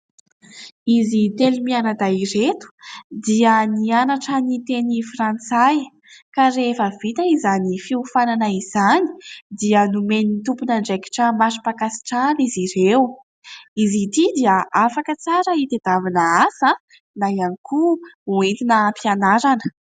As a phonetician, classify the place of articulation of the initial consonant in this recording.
alveolar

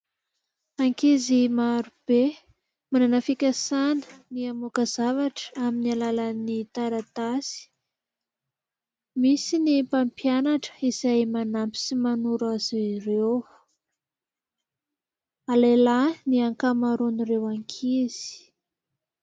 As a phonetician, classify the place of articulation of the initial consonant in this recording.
velar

